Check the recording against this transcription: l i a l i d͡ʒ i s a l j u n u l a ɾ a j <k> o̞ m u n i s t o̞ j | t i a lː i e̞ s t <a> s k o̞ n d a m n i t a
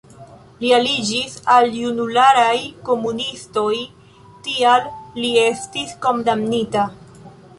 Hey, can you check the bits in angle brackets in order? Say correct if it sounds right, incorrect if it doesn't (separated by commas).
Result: correct, incorrect